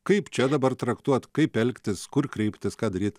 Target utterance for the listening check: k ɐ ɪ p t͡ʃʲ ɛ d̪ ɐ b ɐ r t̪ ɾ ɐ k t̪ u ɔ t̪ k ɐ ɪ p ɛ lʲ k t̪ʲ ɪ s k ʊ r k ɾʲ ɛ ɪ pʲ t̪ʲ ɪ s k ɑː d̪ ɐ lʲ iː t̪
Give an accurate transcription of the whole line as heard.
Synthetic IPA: k ɐ ɪ p t͡ʃʲ ɛ d̪ ɐ b ɐ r t̪ ɾ ɐ k t̪ u ɔ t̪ k ɐ ɪ p ɛ lʲ k t̪ʲ ɪ s k ʊ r k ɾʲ ɛ ɪ pʲ t̪ʲ ɪ s k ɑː d̪ ɐ ɾʲ iː t̪